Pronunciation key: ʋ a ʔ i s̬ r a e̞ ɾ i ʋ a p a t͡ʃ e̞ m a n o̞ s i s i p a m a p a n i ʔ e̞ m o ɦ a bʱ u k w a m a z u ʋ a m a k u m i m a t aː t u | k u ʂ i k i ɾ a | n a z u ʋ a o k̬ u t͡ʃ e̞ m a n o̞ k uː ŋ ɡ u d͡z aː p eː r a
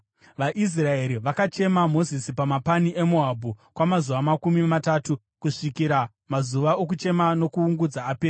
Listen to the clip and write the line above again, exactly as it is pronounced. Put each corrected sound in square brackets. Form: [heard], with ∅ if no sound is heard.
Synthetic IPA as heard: ʋ a ʔ i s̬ r a e̞ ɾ i ʋ a [k] a t͡ʃ e̞ m a [m] o̞ [z] i s i p a m a p a n i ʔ e̞ m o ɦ a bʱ u k w a m a z u ʋ a m a k u m i m a t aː t u | k u ʂ i k i ɾ a | [m] a z u ʋ a o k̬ u t͡ʃ e̞ m a n o̞ k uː ŋ ɡ u d͡z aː p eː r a